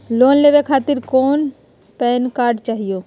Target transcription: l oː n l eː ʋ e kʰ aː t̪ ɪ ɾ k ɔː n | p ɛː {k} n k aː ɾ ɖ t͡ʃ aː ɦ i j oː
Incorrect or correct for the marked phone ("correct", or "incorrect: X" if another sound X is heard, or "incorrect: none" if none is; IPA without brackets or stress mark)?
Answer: incorrect: none